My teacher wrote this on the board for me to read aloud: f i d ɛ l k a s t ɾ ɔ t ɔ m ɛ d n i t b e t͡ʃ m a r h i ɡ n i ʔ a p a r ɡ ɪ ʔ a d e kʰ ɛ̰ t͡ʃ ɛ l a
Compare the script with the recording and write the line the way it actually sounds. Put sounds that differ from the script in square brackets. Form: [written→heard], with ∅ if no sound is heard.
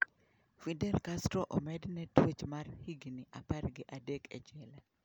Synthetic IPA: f i d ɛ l k a s t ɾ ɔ [t→ʔ] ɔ m ɛ d n [i→ɛ] t [b→w] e t͡ʃ m a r h i ɡ n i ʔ a p a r ɡ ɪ ʔ a d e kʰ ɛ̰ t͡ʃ ɛ l a